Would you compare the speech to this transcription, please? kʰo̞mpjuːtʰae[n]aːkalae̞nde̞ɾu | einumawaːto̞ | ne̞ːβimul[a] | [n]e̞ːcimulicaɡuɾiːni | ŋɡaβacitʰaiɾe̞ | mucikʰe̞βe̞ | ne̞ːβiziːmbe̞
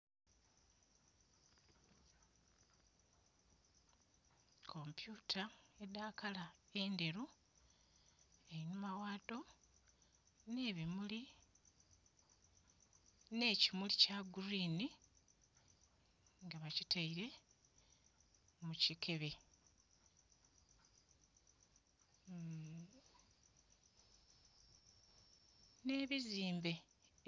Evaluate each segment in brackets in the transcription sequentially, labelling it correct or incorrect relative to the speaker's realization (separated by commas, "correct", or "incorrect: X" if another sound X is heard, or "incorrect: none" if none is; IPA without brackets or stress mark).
incorrect: d, incorrect: i, correct